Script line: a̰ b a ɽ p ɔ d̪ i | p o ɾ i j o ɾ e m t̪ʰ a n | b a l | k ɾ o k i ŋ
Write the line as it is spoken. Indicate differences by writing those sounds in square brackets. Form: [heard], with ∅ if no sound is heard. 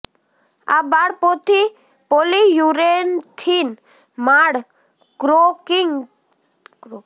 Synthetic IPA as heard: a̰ b a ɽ p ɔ [t̪] i | p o [l] i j [u] ɾ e [n] t̪ʰ [i] n | [m] a [ɽ] | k ɾ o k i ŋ